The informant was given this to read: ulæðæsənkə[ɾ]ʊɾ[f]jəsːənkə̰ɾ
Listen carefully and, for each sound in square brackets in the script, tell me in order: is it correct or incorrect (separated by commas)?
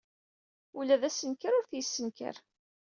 correct, incorrect